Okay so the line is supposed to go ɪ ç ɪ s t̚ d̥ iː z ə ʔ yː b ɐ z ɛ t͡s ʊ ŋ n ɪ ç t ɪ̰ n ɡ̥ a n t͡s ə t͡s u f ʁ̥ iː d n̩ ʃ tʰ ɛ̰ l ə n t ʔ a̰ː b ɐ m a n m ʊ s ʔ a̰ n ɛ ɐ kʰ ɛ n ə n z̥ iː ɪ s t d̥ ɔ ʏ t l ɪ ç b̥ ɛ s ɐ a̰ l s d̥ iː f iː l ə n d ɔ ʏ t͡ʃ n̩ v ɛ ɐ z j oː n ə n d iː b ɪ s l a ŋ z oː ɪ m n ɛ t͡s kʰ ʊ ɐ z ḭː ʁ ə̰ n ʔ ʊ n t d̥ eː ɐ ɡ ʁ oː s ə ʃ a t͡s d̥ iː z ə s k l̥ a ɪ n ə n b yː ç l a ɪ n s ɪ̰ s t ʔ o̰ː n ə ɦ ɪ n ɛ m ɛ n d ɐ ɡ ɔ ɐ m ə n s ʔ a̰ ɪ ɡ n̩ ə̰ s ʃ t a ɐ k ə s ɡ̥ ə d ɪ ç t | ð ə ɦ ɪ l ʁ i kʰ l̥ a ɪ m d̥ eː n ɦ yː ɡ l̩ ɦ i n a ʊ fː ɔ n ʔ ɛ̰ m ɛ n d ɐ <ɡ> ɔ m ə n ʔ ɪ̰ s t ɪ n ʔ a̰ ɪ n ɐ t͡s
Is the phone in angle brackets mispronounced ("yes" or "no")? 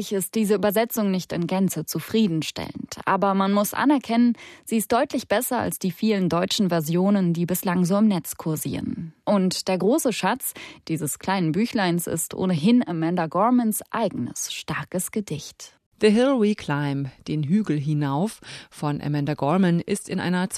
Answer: no